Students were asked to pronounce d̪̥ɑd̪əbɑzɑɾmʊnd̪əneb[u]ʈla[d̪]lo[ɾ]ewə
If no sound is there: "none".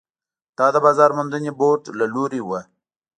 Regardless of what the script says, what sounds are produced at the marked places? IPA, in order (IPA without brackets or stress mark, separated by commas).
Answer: o, none, ɾ